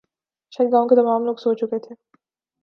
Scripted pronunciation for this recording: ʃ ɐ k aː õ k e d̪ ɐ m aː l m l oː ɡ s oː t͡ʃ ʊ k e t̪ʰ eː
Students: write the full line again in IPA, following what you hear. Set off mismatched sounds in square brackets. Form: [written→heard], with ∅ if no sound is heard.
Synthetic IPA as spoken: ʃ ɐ [k→ɡ] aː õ k e [d̪→t̪] ɐ m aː [l→∅] m l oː ɡ s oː t͡ʃ ʊ k e t̪ʰ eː